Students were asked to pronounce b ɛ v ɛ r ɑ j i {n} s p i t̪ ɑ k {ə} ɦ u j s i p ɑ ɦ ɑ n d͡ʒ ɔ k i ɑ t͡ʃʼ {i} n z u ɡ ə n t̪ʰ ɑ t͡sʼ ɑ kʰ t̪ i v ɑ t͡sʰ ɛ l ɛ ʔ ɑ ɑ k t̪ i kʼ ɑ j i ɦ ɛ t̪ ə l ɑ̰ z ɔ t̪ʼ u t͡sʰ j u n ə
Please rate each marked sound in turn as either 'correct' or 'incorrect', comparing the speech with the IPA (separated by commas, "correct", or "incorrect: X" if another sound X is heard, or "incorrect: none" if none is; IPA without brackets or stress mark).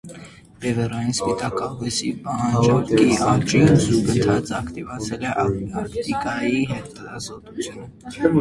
correct, incorrect: ɑ, correct